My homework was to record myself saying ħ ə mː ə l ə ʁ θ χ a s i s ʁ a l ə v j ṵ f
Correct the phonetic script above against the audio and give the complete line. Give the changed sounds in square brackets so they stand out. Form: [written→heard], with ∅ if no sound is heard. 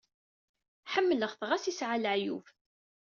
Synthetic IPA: ħ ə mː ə l ə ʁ θ [χ→ʁ] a s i s [ʁ→ʕ] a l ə [v→ʕ] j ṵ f